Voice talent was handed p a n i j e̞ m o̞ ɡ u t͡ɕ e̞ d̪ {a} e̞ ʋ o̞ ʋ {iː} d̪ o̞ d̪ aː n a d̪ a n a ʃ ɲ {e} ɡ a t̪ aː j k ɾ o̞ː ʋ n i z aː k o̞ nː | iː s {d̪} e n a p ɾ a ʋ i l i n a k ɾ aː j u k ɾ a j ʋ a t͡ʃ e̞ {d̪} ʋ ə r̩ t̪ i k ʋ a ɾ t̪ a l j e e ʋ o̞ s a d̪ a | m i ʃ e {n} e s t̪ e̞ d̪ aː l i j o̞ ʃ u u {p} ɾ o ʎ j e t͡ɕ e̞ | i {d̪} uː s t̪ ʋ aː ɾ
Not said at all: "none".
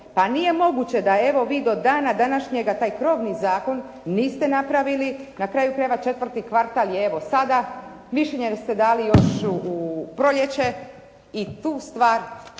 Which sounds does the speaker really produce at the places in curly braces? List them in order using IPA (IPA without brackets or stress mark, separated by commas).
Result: a, iː, e, t̪, t̪, ɲ, p, t̪